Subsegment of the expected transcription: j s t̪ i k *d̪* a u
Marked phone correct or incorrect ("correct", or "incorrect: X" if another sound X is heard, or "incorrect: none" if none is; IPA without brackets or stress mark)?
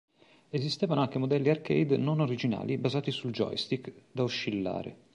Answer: correct